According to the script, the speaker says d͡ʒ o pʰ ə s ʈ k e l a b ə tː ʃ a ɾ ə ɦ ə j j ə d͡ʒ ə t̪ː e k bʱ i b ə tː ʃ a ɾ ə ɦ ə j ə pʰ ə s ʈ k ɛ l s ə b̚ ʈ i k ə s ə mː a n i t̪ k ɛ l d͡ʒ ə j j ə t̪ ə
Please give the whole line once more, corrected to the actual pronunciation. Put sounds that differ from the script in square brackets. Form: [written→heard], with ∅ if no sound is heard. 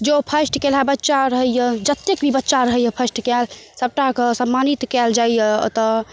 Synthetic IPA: d͡ʒ o pʰ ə s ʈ k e l a b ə tː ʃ a ɾ ə ɦ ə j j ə d͡ʒ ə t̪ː e k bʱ i b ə tː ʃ a ɾ ə ɦ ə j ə pʰ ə s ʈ k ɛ l s ə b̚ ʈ [i→a] k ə s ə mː a n i t̪ k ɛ l d͡ʒ [ə→a] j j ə t̪ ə